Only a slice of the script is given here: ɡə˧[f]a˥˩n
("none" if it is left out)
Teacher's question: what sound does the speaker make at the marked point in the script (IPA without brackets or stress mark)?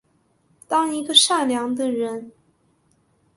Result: ʂ